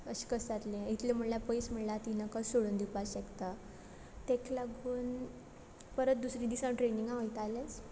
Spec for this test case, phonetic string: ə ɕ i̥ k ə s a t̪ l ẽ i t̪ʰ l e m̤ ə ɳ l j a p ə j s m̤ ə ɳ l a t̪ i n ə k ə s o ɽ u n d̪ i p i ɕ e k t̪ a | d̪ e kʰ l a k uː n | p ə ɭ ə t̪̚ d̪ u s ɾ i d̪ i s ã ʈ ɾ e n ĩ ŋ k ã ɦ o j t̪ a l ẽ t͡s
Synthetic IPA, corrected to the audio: ə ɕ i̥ k ə s a t̪ l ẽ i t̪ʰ l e m̤ ə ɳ l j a p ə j s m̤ ə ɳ l a t̪ i n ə k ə s o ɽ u n d̪ i p a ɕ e k t̪ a | t̪ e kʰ l a ɡ uː n | p ə ɾ ə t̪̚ d̪ u s ɾ i d̪ i s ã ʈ ɾ e n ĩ ŋ ɡ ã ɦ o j t̪ a l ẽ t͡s